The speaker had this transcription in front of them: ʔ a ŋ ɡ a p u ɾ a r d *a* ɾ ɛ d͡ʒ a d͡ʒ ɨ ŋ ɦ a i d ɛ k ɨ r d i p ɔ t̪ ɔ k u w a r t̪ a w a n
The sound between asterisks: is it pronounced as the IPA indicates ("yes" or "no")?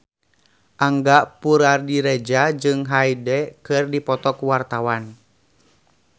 no